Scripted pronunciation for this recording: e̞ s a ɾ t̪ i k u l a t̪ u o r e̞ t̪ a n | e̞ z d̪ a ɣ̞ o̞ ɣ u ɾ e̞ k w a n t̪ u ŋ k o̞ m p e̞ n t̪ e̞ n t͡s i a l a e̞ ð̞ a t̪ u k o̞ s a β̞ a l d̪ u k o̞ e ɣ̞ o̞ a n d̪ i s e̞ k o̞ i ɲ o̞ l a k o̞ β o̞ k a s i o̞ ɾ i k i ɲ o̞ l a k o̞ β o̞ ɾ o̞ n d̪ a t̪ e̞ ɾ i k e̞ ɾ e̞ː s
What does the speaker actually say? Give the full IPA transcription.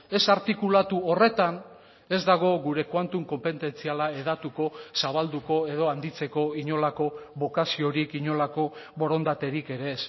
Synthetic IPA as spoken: e̞ s a ɾ t̪ i k u l a t̪ u o r e̞ t̪ a n | e̞ z d̪ a ɣ̞ o̞ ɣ u ɾ e̞ k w a n t̪ u ŋ k o̞ m p e̞ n t̪ e̞ n t͡s i a l a e̞ ð̞ a t̪ u k o̞ s a β̞ a l d̪ u k o̞ e ð̞ o̞ a n d̪ i t͡s e̞ k o̞ i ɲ o̞ l a k o̞ β o̞ k a s i o̞ ɾ i k i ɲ o̞ l a k o̞ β o̞ ɾ o̞ n d̪ a t̪ e̞ ɾ i k e̞ ɾ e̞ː s